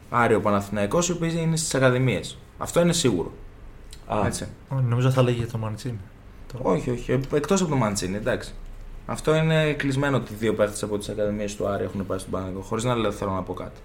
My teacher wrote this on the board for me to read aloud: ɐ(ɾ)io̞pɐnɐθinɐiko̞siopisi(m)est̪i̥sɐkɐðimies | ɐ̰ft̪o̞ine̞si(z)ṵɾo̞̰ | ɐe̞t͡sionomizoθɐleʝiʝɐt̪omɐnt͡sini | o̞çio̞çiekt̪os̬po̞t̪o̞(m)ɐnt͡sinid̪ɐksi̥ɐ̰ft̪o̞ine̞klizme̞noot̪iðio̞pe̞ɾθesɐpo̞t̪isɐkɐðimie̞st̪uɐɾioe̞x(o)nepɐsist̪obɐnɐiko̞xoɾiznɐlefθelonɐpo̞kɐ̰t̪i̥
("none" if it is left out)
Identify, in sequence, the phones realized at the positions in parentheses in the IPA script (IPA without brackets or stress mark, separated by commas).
ɾ, n, ɣ, m, u